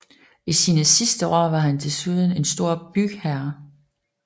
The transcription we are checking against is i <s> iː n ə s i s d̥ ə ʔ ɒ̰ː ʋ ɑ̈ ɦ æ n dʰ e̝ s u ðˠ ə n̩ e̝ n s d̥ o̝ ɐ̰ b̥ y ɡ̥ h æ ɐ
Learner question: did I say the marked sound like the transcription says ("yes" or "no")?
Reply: yes